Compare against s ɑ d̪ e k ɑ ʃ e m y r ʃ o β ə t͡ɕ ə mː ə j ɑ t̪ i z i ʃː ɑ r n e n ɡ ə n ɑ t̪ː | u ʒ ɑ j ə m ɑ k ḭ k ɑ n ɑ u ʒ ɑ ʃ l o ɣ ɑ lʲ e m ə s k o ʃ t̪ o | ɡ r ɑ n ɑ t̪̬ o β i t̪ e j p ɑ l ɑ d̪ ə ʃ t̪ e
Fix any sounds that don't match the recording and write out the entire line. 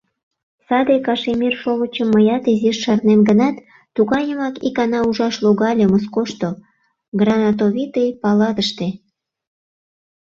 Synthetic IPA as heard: s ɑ d̪ e k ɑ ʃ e m i r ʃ o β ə t͡ɕ ə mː ə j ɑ t̪ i z i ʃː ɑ r n e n ɡ ə n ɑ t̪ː | u ɣ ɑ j ə m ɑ k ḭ k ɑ n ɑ u ʒ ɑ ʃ l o ɣ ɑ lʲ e m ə s k o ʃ t̪ o | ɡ r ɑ n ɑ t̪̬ o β i t̪ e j p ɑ l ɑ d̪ ə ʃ t̪ e